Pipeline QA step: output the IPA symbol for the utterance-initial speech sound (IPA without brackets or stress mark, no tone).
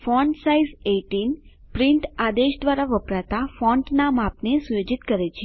f